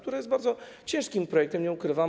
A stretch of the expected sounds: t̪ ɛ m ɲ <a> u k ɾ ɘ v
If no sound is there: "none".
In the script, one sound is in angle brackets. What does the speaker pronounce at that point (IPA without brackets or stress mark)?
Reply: ɛ